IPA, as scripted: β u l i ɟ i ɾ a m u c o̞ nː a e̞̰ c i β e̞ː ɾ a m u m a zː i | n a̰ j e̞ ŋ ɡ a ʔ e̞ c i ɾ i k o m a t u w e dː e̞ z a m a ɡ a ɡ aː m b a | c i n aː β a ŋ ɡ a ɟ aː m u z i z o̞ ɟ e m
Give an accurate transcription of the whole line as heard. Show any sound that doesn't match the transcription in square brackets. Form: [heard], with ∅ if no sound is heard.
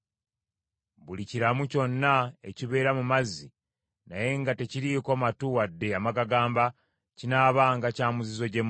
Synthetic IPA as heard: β u l i [c] i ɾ a m u c o̞ nː a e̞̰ c i β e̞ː ɾ a m u m a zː i | n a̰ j e̞ ŋ ɡ a [t] e̞ c i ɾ i k o m a t u w [a] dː e̞ [∅] a m a ɡ a ɡ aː m b a | c i n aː β a ŋ ɡ a [c] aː m u z i z o̞ ɟ e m